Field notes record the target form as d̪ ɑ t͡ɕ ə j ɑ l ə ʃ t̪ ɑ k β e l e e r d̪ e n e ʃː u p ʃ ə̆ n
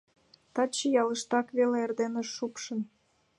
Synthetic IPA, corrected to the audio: t̪ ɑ t͡ɕ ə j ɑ l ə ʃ t̪ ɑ k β e l e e r d̪ e n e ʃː u p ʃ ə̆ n